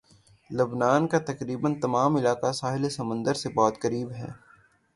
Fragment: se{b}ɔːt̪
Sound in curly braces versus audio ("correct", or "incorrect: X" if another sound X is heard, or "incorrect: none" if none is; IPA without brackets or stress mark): correct